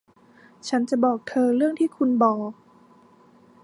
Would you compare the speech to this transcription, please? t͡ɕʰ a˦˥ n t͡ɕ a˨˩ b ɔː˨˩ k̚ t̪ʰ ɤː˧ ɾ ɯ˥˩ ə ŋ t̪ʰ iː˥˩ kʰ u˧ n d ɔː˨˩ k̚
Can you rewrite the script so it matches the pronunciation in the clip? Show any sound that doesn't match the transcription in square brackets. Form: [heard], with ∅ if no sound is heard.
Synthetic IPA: t͡ɕʰ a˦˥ n t͡ɕ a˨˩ b ɔː˨˩ k̚ t̪ʰ ɤː˧ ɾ ɯ˥˩ ə ŋ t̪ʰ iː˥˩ kʰ u˧ n [b] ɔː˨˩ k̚